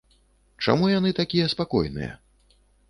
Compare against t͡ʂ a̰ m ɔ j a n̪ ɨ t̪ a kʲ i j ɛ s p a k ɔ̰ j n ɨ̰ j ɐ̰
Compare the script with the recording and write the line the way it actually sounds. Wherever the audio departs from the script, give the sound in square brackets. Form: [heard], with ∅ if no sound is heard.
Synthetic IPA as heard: t͡ʂ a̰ m [u] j a n̪ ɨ t̪ a kʲ i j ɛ s p a k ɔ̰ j n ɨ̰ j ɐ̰